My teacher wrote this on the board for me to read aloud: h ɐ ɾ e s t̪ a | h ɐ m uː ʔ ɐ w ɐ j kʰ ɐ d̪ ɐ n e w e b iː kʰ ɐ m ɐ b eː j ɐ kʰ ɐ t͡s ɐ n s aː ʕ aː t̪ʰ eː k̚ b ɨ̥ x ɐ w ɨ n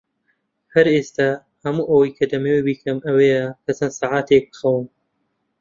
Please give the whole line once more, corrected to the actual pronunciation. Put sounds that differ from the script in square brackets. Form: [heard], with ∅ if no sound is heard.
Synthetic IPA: h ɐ ɾ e s t̪ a | h ɐ m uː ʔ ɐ w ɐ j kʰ ɐ d̪ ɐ [m] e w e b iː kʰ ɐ m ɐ [w] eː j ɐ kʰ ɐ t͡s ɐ n s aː ʕ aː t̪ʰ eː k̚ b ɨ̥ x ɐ w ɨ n